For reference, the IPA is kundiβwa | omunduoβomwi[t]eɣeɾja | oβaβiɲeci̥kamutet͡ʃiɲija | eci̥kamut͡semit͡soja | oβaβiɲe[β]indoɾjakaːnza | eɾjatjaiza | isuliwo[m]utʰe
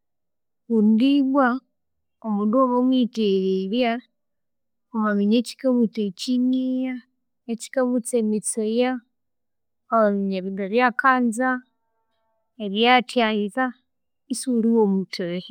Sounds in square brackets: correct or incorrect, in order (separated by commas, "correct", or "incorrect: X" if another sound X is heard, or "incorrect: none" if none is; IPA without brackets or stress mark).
correct, correct, correct